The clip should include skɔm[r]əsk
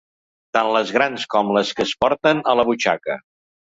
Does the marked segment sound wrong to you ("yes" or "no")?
yes